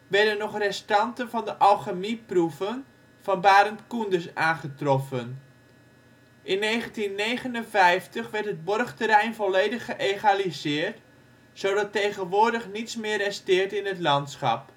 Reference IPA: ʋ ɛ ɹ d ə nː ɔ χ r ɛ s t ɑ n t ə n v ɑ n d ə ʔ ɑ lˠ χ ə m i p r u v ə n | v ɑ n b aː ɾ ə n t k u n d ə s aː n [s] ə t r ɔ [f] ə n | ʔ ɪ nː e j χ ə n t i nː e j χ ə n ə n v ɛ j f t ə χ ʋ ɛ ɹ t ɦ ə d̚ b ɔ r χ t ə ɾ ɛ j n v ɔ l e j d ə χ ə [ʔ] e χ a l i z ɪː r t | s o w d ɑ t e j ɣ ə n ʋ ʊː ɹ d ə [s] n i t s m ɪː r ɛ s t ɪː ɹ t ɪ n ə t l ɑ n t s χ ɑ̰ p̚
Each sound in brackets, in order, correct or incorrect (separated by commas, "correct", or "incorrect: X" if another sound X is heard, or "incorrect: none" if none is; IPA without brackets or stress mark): incorrect: χ, correct, correct, incorrect: χ